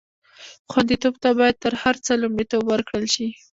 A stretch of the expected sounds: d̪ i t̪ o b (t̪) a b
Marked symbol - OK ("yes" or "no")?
yes